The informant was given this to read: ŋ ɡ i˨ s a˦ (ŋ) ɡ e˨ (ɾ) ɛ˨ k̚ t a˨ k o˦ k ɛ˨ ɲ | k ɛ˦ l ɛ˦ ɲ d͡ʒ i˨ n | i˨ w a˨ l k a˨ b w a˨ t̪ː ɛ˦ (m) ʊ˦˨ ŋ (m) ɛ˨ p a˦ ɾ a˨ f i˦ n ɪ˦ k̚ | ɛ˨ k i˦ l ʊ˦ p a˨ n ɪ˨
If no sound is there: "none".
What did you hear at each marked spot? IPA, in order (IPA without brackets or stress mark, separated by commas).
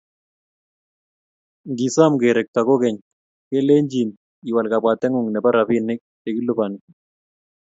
m, ɾ, ŋ, n